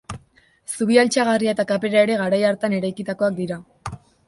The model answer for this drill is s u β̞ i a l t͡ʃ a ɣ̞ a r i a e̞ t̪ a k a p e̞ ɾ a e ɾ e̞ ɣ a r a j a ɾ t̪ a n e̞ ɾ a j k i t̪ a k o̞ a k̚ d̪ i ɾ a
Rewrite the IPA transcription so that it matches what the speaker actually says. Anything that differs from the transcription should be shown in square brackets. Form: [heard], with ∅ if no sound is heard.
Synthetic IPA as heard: s u β̞ i a l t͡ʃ a ɣ̞ a r i a e̞ t̪ a k a p e̞ ɾ a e ɾ e̞ ɣ a [ɾ] a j a ɾ t̪ a n e̞ ɾ a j k i t̪ a k o̞ a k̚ d̪ i ɾ a

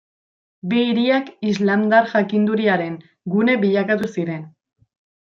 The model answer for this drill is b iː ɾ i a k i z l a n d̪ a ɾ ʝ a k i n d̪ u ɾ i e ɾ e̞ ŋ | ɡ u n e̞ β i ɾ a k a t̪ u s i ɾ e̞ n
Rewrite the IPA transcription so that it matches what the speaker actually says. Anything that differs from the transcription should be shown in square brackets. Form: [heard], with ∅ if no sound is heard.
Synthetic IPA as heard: b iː ɾ i a k i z l a [m] d̪ a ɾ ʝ a k i n d̪ u ɾ i [a] ɾ e̞ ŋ | ɡ u n e̞ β i [ʎ] a k a t̪ u s i ɾ e̞ n

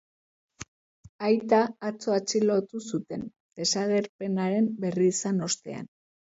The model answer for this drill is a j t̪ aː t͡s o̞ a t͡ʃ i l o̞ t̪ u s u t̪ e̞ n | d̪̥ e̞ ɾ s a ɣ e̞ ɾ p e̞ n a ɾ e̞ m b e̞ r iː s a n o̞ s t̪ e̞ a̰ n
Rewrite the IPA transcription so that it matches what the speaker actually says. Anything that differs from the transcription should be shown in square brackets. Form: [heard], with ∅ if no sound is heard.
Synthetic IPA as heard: a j t̪ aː t͡s o̞ a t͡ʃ i l o̞ t̪ u s u t̪ e̞ n | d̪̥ e̞ [∅] s a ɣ e̞ ɾ p e̞ n a ɾ e̞ m b e̞ r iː s a n o̞ s t̪ e̞ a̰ n

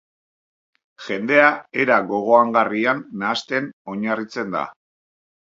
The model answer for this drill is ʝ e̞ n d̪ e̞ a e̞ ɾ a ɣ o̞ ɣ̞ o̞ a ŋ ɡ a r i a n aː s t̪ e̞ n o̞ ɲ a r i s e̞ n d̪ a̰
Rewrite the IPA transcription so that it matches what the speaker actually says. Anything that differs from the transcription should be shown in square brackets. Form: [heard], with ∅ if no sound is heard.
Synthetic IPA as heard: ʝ e̞ n d̪ e̞ a e̞ ɾ a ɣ o̞ ɣ̞ o̞ a ŋ ɡ a r i a [nː] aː s t̪ e̞ n o̞ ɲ a r i [t͡s] e̞ n d̪ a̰

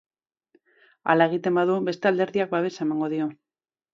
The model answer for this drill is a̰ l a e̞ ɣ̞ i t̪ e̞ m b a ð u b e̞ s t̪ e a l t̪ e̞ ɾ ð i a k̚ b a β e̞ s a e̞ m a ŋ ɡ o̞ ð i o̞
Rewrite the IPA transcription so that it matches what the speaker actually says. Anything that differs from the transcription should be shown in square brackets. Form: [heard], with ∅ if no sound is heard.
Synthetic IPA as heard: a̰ l a e̞ ɣ̞ i t̪ e̞ m b a ð u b e̞ s t̪ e a l [d̪] e̞ ɾ ð i a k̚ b a β e̞ s a e̞ m a ŋ ɡ o̞ ð i o̞

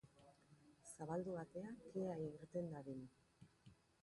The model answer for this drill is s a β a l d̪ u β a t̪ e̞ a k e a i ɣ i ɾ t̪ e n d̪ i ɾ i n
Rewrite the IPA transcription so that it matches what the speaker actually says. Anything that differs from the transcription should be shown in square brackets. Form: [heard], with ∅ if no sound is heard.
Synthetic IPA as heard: s a β a l d̪ u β a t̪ e̞ a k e a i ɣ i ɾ t̪ e n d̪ [a] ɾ i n

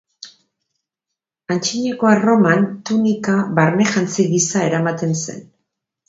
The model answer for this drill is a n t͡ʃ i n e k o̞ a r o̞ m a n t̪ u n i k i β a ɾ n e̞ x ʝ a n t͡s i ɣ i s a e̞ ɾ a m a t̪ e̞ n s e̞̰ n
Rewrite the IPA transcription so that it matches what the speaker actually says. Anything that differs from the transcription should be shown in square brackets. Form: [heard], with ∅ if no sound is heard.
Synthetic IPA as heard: a n t͡ʃ i [ɲ] e k o̞ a r o̞ m a n t̪ u n i k [a] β a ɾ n e̞ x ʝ a n t͡s i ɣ i s a e̞ ɾ a m a t̪ e̞ n s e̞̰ n

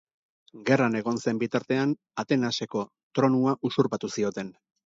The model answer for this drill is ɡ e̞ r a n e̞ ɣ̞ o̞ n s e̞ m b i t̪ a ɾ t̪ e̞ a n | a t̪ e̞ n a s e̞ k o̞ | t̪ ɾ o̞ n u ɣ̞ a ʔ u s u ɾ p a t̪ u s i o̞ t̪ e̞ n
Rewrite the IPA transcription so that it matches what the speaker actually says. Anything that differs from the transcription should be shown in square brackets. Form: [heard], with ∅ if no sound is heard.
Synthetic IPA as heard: ɡ e̞ r a n e̞ ɣ̞ o̞ n s e̞ m b i t̪ a ɾ t̪ e̞ a n | a t̪ e̞ n a s e̞ k o̞ | t̪ ɾ o̞ n u [∅] a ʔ u s u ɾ p a t̪ u s i o̞ t̪ e̞ n

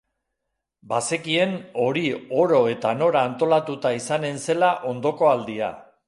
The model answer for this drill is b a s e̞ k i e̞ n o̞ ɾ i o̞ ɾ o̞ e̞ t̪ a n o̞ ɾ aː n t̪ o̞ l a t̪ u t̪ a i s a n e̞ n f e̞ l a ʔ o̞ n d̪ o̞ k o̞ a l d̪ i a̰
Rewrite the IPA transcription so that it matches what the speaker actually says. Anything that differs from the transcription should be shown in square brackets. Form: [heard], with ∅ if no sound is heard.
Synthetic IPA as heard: b a s e̞ k i e̞ n o̞ ɾ i o̞ ɾ o̞ e̞ t̪ a n o̞ ɾ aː n t̪ o̞ l a t̪ u t̪ a i s a n e̞ n [s] e̞ l a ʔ o̞ n d̪ o̞ k o̞ a l d̪ i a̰

